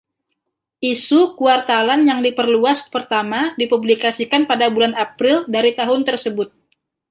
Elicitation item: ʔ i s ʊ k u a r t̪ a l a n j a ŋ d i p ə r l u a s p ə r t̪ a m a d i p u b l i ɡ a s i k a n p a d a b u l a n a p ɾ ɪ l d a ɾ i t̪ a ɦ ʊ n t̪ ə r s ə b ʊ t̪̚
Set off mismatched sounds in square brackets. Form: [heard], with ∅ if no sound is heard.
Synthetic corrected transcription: ʔ i s [u] k u a r t̪ a l a n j a ŋ d i p ə r l u a s p ə r t̪ a m a d i p u b l i [k] a s i k a n p a d a b u l a n a p ɾ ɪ l d a ɾ i t̪ a ɦ ʊ n t̪ ə r s ə b ʊ t̪̚